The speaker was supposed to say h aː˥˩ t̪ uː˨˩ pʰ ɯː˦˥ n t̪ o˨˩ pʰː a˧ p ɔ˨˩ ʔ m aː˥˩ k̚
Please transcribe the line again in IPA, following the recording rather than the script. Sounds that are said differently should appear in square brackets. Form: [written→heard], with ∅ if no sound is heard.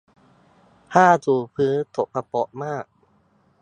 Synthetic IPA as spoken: h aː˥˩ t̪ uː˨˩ pʰ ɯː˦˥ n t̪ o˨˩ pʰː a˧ p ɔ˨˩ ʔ m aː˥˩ k̚

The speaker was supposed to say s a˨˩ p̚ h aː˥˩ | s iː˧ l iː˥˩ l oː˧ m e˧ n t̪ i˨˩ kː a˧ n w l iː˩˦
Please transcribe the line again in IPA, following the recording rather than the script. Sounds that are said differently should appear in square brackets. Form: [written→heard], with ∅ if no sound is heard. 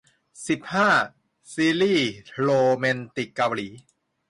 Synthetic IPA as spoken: s [a˨˩→i˨˩] p̚ h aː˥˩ | s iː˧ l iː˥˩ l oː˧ m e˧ n t̪ i˨˩ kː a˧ [n→∅] w l iː˩˦

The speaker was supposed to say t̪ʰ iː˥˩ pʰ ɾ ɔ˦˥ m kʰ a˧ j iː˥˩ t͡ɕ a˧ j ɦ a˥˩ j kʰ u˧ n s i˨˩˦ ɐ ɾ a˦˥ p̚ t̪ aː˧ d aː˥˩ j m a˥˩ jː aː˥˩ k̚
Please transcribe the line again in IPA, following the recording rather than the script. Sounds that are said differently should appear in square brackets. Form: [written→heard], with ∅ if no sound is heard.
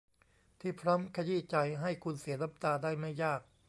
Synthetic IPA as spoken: t̪ʰ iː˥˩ pʰ ɾ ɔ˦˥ m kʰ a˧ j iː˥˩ t͡ɕ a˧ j ɦ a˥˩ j kʰ u˧ n s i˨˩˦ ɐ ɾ a˦˥ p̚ t̪ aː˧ d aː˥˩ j m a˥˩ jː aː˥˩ k̚

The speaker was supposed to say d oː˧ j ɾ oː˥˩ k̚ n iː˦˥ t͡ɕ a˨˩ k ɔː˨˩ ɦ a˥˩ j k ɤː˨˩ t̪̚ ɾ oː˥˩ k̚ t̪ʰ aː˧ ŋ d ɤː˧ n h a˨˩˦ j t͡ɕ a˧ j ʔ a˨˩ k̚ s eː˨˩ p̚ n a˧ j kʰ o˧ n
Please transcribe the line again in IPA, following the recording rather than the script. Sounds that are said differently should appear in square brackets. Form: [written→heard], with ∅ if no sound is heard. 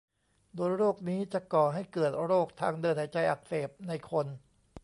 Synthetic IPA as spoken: d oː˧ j ɾ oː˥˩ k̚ n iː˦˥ t͡ɕ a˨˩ k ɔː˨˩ ɦ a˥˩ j k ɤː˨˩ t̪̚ ɾ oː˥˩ k̚ t̪ʰ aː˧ ŋ d ɤː˧ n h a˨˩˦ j t͡ɕ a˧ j ʔ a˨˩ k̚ s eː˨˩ p̚ n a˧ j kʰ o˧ n

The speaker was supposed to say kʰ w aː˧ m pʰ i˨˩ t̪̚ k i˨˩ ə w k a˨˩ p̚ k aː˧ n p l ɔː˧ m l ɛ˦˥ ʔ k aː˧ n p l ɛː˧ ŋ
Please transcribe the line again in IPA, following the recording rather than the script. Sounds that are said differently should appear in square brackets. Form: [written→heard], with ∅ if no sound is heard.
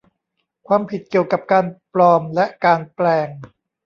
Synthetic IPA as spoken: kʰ w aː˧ m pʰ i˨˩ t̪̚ k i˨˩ ə w k a˨˩ p̚ k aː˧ n p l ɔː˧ m l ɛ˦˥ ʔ k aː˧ n p l ɛː˧ ŋ

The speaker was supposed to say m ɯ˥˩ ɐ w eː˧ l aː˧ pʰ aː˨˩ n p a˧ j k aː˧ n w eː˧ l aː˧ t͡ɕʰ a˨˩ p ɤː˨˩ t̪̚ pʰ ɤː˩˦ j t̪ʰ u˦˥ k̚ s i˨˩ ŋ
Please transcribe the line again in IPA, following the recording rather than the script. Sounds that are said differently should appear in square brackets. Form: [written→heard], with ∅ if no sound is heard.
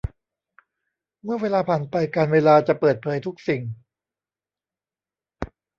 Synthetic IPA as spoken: m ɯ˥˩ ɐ w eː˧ l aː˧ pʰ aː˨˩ n p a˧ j k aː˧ n w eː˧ l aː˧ [t͡ɕʰ→t͡ɕ] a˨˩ p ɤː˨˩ t̪̚ pʰ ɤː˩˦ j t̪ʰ u˦˥ k̚ s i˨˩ ŋ

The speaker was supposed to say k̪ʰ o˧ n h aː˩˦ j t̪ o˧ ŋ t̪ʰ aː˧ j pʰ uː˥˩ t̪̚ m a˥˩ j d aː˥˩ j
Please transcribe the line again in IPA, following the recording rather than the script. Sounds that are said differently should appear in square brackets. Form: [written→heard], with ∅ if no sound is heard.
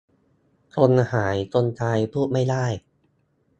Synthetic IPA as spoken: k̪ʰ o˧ n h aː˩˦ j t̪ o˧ [ŋ→n] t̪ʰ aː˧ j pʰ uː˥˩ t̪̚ m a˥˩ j d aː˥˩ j

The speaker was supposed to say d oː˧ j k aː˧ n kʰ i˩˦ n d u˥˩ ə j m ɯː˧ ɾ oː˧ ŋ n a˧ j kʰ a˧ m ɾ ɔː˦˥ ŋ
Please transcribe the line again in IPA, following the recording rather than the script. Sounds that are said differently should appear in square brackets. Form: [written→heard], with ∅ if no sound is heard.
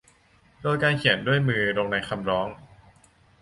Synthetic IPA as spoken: d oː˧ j k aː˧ n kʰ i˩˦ n d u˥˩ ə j m ɯː˧ ɾ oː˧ ŋ n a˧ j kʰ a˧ m ɾ ɔː˦˥ ŋ

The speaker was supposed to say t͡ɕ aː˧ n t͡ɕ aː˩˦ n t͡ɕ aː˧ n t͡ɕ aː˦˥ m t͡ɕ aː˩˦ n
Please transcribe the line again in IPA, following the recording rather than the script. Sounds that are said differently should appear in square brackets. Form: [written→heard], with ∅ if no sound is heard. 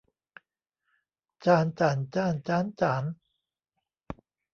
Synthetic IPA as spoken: t͡ɕ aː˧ n t͡ɕ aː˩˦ n t͡ɕ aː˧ n t͡ɕ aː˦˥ [m→n] t͡ɕ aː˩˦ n

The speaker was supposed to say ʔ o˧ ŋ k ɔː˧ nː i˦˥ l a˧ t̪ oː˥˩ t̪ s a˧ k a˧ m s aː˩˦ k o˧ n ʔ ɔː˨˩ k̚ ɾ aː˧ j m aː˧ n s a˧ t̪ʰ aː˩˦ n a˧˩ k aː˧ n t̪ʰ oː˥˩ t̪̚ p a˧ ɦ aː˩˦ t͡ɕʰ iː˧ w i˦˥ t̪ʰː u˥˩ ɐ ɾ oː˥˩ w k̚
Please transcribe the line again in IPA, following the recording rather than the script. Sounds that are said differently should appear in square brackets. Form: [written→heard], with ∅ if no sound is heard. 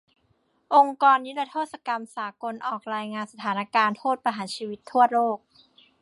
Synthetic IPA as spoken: ʔ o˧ ŋ k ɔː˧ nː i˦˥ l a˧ [t̪→t̪ʰ] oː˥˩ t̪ s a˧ k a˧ m s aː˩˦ k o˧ n ʔ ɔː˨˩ k̚ ɾ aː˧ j [m→ŋ] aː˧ n s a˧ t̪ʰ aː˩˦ n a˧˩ k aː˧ n t̪ʰ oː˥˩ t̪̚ p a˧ ɦ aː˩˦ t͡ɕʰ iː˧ w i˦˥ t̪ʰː u˥˩ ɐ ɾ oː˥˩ [w→∅] k̚

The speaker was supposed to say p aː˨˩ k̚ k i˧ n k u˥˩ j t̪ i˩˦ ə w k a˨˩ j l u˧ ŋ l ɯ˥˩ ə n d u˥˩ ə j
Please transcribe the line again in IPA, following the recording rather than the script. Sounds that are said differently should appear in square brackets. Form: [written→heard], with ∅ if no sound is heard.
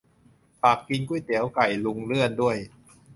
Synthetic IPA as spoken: p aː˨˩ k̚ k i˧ n k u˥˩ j t̪ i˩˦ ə w k a˨˩ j l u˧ ŋ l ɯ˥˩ ə n d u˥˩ ə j

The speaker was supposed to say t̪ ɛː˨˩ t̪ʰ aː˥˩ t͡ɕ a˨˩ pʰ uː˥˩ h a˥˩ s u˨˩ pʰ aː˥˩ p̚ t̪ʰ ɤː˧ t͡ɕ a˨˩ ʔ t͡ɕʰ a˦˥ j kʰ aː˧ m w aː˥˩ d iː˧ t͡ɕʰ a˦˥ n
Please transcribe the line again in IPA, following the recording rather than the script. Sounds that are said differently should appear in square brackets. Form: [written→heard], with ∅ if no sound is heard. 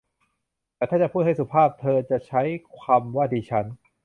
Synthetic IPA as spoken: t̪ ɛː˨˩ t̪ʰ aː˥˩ t͡ɕ a˨˩ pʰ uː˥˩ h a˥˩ s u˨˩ pʰ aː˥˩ p̚ t̪ʰ ɤː˧ t͡ɕ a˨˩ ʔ t͡ɕʰ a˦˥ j kʰ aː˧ m w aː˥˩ d iː˧ t͡ɕʰ a˦˥ n

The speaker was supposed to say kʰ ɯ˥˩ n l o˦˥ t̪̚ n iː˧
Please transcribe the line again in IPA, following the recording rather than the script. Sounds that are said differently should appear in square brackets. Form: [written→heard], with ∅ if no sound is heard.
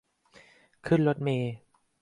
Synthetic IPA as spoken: kʰ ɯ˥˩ n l o˦˥ t̪̚ [n→m] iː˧

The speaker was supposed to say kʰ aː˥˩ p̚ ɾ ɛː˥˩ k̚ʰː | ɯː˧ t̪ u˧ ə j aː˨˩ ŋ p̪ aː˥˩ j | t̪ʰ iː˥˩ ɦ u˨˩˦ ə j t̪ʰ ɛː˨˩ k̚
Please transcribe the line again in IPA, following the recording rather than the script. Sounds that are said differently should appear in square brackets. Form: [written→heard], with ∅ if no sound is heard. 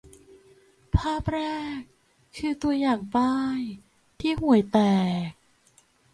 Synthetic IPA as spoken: [kʰ→pʰ] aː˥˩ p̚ ɾ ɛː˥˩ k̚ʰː | ɯː˧ t̪ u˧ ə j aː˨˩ ŋ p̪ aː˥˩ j | t̪ʰ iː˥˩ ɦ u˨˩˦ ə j [t̪ʰ→t̪] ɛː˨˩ k̚

